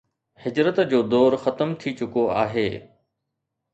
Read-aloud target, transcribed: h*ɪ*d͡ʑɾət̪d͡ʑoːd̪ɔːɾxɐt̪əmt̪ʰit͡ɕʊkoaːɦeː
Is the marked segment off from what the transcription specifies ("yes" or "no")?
no